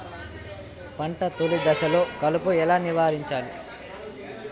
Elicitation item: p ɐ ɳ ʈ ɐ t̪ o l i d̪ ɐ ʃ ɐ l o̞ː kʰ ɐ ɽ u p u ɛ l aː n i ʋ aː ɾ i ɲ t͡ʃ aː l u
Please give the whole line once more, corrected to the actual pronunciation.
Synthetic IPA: p ɐ ɳ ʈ ɐ t̪ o l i d̪ ɐ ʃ ɐ l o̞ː k ɐ l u p u ɛ l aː n i ʋ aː ɾ i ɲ t͡ʃ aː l u

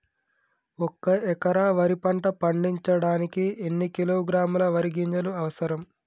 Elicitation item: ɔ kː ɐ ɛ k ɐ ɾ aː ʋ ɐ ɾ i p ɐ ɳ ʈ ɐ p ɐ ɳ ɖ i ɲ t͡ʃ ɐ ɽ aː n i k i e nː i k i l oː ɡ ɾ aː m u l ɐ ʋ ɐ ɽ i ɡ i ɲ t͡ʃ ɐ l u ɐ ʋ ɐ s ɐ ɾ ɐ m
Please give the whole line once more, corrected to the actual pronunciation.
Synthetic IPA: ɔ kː ɐ ɛ k ɐ ɾ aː ʋ ɐ ɾ i p ɐ ɳ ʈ ɐ p ɐ ɳ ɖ i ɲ t͡ʃ ɐ ɽ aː n i k i e nː i k i l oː ɡ ɾ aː m u l ɐ ʋ ɐ ɾ i ɡ i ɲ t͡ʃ ɐ l u ɐ ʋ ɐ s ɐ ɾ ɐ m

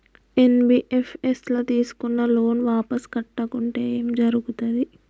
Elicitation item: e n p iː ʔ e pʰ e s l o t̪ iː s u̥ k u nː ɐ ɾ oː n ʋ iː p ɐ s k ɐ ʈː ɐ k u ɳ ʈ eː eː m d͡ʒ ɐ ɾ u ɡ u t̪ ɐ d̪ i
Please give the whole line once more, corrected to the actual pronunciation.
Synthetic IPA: e n b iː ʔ e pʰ e s l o t̪ iː s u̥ k u nː ɐ l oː n ʋ aː p ɐ s k ɐ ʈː ɐ k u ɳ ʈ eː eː m d͡ʒ ɐ ɾ u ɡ u t̪ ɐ d̪ i

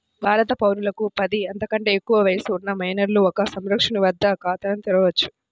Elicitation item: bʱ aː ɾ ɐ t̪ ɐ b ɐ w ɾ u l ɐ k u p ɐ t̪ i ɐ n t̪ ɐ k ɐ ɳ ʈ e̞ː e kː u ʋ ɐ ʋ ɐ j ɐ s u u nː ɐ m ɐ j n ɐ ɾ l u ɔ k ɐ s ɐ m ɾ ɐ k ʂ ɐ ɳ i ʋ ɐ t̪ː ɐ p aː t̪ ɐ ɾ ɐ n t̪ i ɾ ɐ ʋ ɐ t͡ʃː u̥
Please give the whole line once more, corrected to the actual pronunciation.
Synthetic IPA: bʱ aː ɾ ɐ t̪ ɐ p ɐ w ɾ u l ɐ k u p ɐ d̪ i ɐ n t̪ ɐ k ɐ ɳ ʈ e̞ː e kː u ʋ ɐ ʋ ɐ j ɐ s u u nː ɐ m ɐ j n ɐ ɾ l u ɔ k ɐ s ɐ m ɾ ɐ k ʂ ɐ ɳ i ʋ ɐ d̪ː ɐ k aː t̪ ɐ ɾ ɐ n t̪ i ɾ ɐ ʋ ɐ t͡ʃː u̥

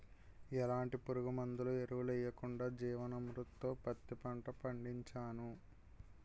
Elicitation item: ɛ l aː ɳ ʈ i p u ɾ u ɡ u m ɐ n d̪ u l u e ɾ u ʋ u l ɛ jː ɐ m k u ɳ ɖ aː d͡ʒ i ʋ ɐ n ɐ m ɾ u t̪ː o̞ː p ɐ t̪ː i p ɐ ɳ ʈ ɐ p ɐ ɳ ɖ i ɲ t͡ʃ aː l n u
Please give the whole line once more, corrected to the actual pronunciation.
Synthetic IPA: ɛ l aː ɳ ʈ i p u ɾ u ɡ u m ɐ n d̪ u l u e ɾ u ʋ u l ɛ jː ɐ k u ɳ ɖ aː d͡ʒ iː ʋ ɐ n ɐ m ɾ u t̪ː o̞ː p ɐ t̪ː i p ɐ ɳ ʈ ɐ p ɐ ɳ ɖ i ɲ t͡ʃ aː n u

